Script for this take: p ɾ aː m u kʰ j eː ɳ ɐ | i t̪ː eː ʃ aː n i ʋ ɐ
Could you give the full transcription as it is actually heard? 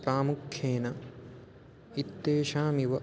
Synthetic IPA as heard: p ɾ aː m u kʰ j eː n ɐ | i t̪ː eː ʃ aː m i ʋ ɐ